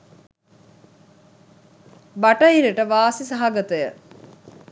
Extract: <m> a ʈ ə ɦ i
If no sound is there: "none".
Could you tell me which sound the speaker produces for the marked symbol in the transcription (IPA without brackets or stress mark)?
b